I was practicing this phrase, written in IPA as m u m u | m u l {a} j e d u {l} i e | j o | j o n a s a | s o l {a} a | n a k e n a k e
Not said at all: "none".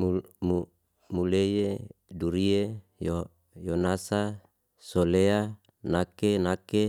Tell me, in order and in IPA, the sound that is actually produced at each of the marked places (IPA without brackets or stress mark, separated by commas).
e, ɾ, e